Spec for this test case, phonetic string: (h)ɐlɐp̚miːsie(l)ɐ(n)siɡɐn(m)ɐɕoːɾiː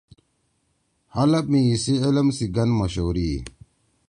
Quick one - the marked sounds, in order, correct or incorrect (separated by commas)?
correct, correct, incorrect, correct